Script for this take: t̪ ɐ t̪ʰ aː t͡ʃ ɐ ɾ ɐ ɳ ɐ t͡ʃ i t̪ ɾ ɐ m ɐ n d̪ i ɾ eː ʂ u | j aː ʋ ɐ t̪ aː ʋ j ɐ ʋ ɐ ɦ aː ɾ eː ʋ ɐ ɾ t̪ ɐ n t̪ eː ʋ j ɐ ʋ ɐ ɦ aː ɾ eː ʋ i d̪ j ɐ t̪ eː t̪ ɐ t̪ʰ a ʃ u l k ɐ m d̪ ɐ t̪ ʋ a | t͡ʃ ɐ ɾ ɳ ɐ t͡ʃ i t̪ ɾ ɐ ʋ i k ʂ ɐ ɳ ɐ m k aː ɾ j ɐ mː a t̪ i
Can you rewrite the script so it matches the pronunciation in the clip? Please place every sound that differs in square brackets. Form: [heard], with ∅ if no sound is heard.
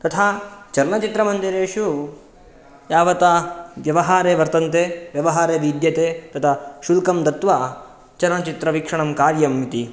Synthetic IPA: t̪ ɐ t̪ʰ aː t͡ʃ ɐ ɾ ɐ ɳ ɐ t͡ʃ i t̪ ɾ ɐ m ɐ n d̪ i ɾ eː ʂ u | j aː ʋ ɐ t̪ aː ʋ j ɐ ʋ ɐ ɦ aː ɾ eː ʋ ɐ ɾ t̪ ɐ n t̪ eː ʋ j ɐ ʋ ɐ ɦ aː ɾ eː ʋ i d̪ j ɐ t̪ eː t̪ ɐ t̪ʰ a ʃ u l k ɐ m d̪ ɐ t̪ ʋ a | t͡ʃ ɐ ɾ ɳ ɐ t͡ʃ i t̪ ɾ ɐ ʋ i k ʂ ɐ ɳ ɐ m k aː ɾ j ɐ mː [i] t̪ i